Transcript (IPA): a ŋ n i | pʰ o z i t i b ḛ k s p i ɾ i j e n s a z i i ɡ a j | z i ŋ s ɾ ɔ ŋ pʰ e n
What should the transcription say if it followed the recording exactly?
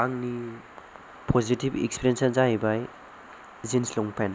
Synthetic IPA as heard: a ŋ n i | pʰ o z i t i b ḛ k s p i ɾ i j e n s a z a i b a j | z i n s l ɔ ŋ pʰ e n